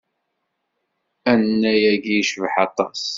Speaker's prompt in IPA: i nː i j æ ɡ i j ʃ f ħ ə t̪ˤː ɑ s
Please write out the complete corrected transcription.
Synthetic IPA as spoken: æ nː æ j æ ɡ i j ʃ v ħ ɑ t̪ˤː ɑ s